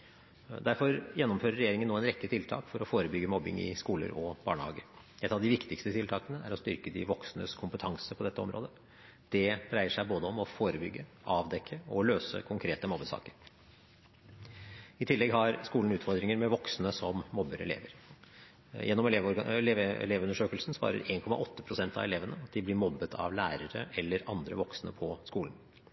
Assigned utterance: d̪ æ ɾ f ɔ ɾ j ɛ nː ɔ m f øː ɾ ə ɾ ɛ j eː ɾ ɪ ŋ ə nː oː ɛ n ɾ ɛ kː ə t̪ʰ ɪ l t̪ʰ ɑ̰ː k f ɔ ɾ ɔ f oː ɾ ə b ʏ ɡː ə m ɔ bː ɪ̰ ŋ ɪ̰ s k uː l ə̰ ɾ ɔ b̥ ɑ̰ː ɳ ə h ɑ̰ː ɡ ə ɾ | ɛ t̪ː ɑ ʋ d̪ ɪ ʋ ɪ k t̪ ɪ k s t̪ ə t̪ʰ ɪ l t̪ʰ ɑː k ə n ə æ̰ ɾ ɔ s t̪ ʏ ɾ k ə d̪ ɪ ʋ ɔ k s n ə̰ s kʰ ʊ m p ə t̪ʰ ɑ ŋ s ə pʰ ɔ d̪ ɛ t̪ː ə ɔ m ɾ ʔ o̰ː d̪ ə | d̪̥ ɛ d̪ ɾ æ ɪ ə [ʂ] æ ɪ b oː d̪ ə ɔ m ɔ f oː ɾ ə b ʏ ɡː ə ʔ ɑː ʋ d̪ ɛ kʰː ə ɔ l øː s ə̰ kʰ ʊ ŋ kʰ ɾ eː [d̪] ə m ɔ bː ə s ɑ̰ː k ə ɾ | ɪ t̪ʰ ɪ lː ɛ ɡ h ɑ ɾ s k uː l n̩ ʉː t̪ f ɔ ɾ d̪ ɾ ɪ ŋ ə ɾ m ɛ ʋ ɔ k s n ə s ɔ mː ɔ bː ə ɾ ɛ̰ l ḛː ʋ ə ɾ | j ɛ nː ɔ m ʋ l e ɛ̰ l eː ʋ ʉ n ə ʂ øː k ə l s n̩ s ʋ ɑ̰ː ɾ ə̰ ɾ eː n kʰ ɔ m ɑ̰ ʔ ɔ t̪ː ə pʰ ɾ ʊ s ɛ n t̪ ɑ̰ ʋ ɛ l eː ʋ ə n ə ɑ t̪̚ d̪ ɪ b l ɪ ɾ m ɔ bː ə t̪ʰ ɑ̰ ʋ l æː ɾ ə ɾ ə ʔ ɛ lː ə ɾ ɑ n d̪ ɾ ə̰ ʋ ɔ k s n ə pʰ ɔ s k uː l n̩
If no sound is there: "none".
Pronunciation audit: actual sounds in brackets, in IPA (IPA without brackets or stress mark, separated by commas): ʂ, t̪